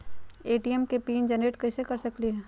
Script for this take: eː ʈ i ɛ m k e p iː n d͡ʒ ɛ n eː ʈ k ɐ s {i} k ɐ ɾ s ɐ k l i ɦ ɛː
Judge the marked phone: incorrect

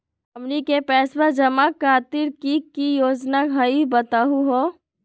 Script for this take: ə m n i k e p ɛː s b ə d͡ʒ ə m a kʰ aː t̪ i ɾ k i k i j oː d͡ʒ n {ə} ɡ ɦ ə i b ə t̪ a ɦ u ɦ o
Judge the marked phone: incorrect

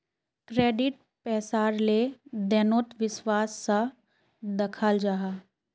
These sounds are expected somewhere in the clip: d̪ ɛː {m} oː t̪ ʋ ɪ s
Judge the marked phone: incorrect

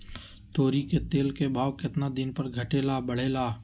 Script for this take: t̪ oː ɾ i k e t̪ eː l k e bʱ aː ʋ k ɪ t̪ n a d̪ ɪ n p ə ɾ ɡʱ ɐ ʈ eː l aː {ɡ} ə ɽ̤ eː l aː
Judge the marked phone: incorrect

